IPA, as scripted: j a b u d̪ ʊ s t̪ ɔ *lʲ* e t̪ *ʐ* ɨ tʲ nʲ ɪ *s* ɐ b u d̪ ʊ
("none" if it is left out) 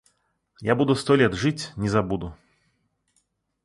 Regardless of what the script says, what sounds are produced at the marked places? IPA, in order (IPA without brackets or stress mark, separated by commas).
lʲ, ʐ, z